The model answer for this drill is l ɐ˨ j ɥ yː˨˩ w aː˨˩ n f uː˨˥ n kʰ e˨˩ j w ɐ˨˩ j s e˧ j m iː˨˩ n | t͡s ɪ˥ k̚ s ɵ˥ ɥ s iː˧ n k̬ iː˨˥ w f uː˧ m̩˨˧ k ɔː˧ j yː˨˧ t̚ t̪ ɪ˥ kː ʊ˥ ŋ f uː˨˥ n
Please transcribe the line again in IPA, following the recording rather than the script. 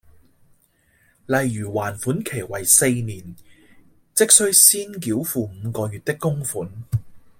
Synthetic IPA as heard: l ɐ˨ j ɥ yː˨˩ w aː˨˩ n f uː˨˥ n kʰ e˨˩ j w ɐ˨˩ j s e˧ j n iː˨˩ n | t͡s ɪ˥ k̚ s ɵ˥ ɥ s iː˥ n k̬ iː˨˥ w f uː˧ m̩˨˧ k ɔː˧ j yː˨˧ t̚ t̪ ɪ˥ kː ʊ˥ ŋ f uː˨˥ n